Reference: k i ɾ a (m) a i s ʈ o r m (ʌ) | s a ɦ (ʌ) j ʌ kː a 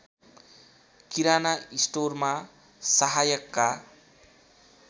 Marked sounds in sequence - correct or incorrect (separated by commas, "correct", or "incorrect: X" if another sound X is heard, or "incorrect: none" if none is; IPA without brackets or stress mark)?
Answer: incorrect: n, incorrect: a, incorrect: a